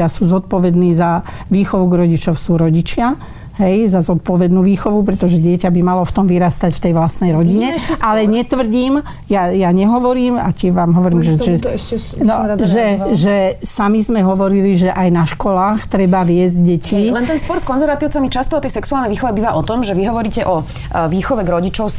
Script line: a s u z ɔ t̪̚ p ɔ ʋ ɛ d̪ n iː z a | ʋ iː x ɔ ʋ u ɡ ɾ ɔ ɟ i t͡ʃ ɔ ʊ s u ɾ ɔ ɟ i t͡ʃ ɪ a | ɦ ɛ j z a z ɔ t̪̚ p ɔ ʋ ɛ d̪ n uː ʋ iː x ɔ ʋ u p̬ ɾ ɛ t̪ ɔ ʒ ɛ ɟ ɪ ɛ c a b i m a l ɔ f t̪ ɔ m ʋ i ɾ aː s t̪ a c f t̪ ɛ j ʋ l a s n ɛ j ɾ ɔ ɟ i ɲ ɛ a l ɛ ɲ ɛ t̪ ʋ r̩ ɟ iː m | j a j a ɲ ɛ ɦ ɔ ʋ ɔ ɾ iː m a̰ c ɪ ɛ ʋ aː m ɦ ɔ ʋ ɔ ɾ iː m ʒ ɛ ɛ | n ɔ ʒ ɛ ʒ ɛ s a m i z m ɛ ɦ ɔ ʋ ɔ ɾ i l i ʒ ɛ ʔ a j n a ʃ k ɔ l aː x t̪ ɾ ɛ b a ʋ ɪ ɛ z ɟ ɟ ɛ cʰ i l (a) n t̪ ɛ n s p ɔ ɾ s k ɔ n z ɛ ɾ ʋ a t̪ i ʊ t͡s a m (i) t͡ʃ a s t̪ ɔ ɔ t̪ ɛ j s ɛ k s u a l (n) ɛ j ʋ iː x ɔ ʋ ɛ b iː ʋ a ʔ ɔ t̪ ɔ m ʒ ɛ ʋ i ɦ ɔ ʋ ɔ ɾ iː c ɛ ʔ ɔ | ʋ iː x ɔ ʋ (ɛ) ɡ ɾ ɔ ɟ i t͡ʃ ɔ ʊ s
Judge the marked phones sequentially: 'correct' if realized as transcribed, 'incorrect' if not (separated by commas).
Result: incorrect, correct, correct, correct